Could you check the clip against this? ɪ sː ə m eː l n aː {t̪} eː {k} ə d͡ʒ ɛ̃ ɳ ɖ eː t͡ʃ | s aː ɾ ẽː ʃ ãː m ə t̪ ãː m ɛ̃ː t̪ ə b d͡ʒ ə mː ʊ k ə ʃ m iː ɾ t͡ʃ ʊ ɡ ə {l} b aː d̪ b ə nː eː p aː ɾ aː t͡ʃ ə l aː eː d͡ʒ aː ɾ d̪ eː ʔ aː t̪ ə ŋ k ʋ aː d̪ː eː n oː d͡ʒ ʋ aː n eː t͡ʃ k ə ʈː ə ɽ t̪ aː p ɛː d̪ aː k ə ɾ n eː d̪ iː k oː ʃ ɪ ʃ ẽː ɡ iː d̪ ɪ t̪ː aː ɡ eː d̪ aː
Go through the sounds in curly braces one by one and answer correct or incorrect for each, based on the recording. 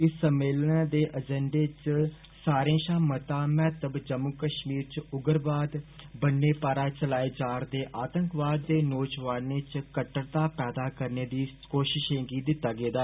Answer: incorrect, incorrect, incorrect

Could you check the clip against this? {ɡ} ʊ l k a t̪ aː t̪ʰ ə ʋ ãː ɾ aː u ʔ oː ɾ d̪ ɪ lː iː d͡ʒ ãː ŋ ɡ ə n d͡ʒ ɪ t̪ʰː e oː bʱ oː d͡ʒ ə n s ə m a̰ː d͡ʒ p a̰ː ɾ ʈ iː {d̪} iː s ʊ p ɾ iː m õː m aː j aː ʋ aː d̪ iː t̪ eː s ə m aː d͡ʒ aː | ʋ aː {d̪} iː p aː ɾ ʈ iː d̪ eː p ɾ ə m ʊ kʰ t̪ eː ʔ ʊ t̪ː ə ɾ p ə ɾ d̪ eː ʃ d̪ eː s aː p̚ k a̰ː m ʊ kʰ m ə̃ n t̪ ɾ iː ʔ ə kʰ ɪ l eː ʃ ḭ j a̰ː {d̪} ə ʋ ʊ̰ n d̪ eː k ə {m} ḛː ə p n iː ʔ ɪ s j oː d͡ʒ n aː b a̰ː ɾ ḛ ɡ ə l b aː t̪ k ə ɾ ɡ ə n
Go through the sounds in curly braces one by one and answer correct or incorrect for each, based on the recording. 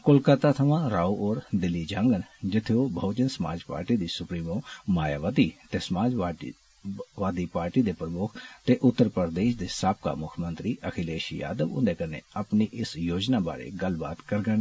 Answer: incorrect, correct, correct, correct, incorrect

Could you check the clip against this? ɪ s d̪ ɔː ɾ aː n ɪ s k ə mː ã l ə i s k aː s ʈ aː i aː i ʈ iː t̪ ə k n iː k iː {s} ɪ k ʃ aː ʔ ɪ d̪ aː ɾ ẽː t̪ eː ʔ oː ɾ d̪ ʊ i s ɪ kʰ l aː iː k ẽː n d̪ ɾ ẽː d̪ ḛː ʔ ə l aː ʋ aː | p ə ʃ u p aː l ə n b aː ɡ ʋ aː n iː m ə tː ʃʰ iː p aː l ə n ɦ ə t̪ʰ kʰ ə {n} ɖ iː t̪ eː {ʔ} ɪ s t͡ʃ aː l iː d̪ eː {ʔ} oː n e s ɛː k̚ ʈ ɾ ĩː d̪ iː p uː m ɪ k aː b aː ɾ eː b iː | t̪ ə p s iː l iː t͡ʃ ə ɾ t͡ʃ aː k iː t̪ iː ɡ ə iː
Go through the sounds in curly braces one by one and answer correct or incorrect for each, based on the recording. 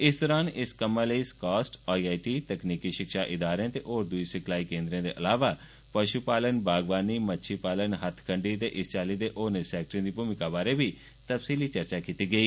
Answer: incorrect, incorrect, correct, correct

